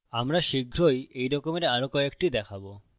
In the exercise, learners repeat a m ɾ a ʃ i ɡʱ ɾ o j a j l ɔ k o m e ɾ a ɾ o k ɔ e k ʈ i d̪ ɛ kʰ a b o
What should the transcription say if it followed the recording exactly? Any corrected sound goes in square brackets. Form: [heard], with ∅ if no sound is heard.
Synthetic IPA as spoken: a m ɾ a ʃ i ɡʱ ɾ o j [e] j [ɾ] ɔ k o m e ɾ a ɾ o k ɔ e k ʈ i d̪ ɛ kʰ a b o